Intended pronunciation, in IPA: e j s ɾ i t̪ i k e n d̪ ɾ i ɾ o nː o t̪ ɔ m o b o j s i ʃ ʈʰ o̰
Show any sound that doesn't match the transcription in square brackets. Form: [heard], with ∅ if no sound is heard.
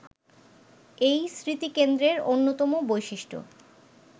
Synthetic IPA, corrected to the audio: e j s ɾ i t̪ i k e n d̪ ɾ [e] ɾ o nː o t̪ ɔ m o b o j [ʃ] i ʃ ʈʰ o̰